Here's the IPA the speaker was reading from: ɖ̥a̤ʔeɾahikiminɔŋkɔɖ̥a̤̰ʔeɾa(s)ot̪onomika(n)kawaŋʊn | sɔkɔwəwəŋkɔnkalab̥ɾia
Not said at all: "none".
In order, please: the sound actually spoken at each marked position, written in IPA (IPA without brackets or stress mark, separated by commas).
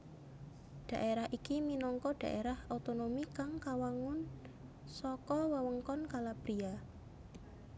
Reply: h, ŋ